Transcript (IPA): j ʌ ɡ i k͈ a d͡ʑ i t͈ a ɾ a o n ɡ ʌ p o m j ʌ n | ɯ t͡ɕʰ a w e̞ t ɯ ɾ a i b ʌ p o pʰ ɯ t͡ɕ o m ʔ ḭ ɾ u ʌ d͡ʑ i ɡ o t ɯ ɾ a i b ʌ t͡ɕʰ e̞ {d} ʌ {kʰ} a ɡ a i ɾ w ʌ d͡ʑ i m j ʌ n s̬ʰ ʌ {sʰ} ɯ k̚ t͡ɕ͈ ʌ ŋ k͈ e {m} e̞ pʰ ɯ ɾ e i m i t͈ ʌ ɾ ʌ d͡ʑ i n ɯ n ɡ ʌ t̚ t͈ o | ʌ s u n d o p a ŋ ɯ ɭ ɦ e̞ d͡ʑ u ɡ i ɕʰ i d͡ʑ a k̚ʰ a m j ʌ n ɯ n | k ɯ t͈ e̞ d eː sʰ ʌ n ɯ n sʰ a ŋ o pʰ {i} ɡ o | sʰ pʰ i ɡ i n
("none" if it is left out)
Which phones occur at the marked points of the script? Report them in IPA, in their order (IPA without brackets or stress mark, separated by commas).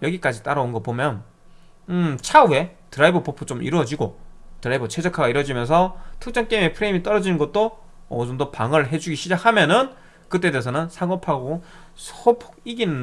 d͡ʑ, kʰ, tʰ, m, a